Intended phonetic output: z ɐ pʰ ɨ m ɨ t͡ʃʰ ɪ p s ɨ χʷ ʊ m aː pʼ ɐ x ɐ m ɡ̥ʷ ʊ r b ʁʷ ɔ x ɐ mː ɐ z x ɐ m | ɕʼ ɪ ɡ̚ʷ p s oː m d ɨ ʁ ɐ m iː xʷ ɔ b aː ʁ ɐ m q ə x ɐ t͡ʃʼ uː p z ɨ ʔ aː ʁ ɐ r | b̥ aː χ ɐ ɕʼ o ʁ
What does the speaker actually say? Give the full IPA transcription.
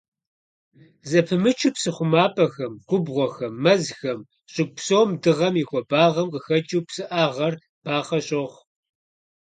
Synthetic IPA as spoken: z ɐ pʰ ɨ m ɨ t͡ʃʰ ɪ p s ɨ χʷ ʊ m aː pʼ ɐ x ɐ m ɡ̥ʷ ʊ b ʁʷ ɔ x ɐ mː ɐ z x ɐ m | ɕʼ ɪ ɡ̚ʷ p s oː m d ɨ ʁ ɐ m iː xʷ ɔ b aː ʁ ɐ m q ə x ɐ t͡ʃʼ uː p s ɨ ʔ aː ʁ ɐ r | b̥ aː χ ɐ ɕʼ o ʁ